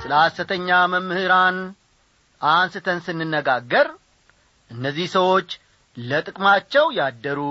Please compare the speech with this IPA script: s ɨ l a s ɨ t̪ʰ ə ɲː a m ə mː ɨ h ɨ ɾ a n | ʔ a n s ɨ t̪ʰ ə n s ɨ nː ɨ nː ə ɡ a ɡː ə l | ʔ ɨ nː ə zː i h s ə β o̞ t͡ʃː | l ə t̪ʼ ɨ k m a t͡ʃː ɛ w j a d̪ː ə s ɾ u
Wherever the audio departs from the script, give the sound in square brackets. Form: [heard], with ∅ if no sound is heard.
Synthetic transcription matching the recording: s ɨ l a s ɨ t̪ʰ ə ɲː a m ə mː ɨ h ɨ ɾ a n | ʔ a n s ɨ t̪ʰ ə n s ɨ nː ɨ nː ə ɡ a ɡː ə [ɾ] | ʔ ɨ nː ə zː i h s ə [w] o̞ t͡ʃː | l ə t̪ʼ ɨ [kʼ] m a t͡ʃː ɛ w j a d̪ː ə [∅] ɾ u